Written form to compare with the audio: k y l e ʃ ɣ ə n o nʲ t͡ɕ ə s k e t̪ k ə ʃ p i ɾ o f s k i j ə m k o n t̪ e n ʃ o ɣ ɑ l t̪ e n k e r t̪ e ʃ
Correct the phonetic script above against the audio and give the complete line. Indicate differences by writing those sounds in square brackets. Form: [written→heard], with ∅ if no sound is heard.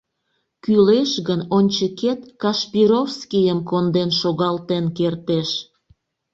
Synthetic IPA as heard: k y l e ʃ ɣ ə n o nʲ t͡ɕ ə [s→∅] k e t̪ k [ə→ɑ] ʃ p i ɾ o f s k i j ə m k o n [t̪→d̪] e n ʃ o ɣ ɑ l t̪ e n k e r t̪ e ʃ